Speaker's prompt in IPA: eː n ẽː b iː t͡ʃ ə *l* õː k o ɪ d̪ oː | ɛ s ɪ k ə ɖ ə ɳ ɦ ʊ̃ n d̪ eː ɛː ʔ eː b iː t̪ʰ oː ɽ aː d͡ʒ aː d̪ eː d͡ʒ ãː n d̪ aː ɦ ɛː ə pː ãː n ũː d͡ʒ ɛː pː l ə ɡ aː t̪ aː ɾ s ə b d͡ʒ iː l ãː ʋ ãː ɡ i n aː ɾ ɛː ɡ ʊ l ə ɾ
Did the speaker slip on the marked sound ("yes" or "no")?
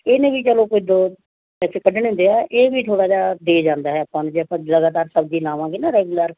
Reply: no